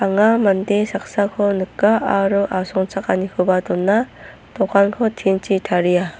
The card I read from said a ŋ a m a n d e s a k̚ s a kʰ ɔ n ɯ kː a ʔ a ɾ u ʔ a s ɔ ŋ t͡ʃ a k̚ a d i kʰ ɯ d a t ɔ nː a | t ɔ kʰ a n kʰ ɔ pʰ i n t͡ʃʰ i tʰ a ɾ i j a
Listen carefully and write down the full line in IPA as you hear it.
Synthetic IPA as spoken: a ŋ a m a n d e s a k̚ s a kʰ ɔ n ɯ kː a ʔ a ɾ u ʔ a s ɔ ŋ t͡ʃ a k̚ a n i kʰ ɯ b a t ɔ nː a | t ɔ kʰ a n kʰ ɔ tʰ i n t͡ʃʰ i tʰ a ɾ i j a